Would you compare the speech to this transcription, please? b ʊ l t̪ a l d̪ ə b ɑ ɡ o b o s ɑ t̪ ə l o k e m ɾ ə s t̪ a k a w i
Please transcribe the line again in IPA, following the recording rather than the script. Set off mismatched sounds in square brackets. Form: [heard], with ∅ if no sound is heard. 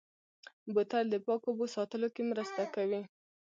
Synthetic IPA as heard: b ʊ [∅] t̪ a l d̪ ə [p] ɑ [k] o b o s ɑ t̪ ə l o k e m ɾ ə s t̪ a k a w i